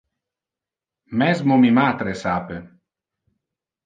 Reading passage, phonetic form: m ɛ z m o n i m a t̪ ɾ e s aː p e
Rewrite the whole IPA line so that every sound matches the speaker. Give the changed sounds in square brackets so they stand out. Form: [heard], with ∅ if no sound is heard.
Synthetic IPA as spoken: m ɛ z m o [m] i m a t̪ ɾ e s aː p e